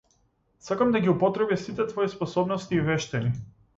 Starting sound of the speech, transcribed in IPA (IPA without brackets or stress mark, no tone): s